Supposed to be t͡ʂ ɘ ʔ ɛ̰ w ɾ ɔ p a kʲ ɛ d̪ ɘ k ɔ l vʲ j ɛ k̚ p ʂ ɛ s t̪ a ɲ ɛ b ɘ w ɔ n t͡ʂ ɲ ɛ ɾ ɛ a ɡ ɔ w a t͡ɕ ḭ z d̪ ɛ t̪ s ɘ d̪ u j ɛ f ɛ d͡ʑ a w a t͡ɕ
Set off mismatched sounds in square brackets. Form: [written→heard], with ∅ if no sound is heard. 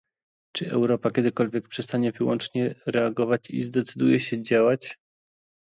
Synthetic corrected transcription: t͡ʂ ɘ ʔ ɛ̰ w ɾ ɔ p a kʲ ɛ d̪ ɘ k ɔ l vʲ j ɛ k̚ p ʂ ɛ s t̪ a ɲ ɛ [b→v] ɘ w ɔ n t͡ʂ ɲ ɛ ɾ ɛ a ɡ ɔ [w→v] a t͡ɕ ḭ z d̪ ɛ t̪ s ɘ d̪ u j ɛ [f→ɕ] ɛ d͡ʑ a w a t͡ɕ